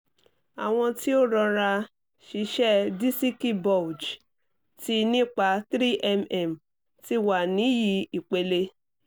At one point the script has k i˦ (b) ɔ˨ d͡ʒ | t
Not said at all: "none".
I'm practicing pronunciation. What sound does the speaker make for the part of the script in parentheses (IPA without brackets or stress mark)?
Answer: b